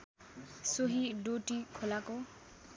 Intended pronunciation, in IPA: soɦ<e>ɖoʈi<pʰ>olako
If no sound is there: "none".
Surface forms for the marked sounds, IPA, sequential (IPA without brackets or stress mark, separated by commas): i, kʰ